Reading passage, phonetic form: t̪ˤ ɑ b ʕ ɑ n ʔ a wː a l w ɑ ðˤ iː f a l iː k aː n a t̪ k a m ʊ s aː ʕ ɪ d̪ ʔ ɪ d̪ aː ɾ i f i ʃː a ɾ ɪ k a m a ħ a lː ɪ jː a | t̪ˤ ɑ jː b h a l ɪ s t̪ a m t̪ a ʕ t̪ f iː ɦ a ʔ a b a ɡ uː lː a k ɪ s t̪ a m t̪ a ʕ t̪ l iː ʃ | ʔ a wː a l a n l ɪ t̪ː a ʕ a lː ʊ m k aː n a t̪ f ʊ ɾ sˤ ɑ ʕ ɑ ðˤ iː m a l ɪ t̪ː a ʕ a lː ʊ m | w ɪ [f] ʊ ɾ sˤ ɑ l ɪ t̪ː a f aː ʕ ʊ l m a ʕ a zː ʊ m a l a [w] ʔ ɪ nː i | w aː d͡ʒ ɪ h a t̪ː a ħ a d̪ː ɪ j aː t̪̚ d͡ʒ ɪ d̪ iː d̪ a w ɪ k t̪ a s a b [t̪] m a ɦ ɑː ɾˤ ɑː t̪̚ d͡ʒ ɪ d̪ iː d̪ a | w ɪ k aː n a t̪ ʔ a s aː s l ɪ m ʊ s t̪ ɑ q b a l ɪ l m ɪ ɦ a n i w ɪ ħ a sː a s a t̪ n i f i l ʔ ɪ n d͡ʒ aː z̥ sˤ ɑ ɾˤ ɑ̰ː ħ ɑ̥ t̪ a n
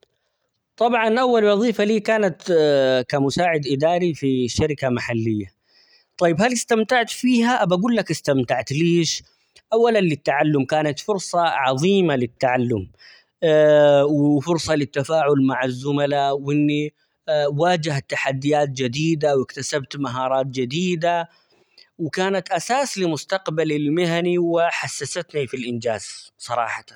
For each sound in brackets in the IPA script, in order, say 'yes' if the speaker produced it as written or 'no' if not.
yes, yes, yes

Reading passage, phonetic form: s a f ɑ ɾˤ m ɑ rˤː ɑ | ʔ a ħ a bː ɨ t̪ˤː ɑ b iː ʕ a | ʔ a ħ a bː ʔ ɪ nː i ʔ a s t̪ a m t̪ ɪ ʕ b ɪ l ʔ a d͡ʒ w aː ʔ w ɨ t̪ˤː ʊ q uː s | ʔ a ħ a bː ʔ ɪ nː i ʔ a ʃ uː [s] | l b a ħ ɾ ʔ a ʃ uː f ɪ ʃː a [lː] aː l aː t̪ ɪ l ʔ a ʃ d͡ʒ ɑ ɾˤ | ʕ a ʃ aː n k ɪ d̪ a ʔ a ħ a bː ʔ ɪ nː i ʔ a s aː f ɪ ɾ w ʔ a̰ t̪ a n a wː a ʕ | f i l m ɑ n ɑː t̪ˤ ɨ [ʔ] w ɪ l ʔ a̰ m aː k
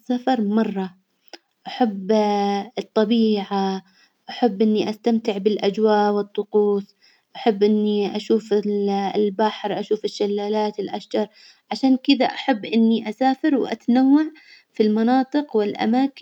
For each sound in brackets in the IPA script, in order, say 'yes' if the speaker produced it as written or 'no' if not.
no, yes, no

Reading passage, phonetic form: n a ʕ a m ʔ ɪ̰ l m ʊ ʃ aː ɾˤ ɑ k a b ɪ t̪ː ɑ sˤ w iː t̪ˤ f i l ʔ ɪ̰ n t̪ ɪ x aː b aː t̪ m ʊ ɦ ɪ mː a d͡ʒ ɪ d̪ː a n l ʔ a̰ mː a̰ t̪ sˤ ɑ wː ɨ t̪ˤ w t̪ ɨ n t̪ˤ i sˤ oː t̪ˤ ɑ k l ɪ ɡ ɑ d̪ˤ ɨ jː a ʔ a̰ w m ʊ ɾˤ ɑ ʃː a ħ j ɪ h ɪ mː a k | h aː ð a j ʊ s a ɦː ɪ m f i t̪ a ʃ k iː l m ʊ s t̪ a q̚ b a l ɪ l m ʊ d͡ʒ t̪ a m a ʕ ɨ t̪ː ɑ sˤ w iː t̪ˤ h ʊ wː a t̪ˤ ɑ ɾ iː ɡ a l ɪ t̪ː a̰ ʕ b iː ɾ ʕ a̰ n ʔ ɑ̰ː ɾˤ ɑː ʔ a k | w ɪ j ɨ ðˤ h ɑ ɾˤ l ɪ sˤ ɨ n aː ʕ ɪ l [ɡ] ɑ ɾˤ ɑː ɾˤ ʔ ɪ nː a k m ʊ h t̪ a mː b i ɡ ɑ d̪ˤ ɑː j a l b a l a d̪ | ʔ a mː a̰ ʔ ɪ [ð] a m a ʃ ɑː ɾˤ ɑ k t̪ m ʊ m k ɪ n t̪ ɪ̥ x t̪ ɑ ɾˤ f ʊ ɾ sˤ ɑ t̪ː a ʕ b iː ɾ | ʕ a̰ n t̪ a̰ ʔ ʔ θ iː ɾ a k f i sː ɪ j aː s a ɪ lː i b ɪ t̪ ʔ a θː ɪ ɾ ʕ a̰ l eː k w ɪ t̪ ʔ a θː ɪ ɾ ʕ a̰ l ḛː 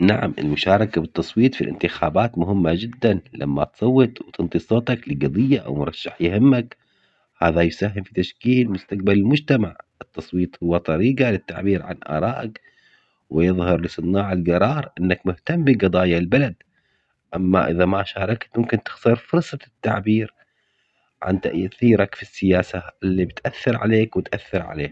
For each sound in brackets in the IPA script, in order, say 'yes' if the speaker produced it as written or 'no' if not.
yes, yes

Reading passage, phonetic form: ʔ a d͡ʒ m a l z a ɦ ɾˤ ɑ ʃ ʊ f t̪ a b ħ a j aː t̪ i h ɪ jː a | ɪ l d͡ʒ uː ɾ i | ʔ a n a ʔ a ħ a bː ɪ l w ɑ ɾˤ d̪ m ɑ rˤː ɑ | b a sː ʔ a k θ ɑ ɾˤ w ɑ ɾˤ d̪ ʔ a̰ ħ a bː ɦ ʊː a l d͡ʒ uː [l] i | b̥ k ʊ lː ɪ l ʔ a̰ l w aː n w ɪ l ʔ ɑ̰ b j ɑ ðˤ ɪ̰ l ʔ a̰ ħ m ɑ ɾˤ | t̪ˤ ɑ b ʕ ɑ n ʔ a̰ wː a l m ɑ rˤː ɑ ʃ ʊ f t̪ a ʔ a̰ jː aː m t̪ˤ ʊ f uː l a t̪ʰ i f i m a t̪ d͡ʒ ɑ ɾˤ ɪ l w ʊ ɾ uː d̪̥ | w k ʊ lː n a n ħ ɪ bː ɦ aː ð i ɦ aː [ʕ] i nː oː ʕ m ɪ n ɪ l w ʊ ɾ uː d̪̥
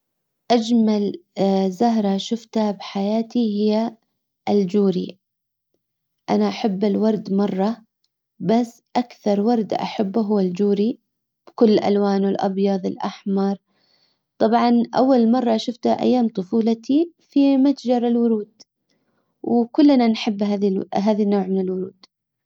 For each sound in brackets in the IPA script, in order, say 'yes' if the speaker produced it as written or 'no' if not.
no, no

